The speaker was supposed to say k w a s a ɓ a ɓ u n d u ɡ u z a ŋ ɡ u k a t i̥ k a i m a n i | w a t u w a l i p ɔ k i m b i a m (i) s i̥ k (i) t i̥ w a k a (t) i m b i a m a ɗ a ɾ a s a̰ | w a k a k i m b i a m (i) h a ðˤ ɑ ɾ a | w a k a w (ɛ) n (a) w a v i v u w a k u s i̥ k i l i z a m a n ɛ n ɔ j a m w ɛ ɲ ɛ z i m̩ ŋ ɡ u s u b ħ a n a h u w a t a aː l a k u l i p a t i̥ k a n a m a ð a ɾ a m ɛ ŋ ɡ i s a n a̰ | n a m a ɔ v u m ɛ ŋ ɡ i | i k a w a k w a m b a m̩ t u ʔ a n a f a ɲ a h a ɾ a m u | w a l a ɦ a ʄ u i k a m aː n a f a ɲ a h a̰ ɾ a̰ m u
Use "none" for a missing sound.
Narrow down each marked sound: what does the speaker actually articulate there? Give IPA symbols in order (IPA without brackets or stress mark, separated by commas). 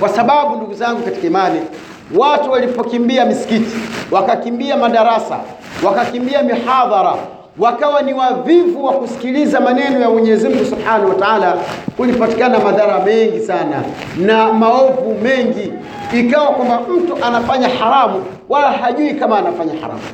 i, i, k, i, a, i